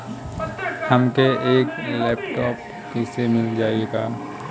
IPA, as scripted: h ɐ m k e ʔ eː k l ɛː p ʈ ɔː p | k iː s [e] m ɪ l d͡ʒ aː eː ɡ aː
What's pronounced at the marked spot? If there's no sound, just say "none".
e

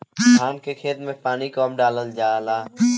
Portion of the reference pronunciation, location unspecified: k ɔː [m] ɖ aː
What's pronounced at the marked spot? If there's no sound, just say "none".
m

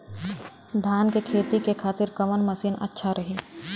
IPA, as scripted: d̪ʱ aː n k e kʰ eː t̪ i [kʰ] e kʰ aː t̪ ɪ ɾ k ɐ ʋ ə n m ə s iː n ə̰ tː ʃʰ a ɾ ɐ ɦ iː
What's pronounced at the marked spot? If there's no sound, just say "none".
k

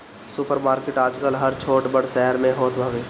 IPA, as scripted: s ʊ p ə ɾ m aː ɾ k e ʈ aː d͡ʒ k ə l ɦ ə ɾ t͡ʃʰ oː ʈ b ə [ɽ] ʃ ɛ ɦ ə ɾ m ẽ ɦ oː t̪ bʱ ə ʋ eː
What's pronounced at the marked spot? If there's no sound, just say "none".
ɽ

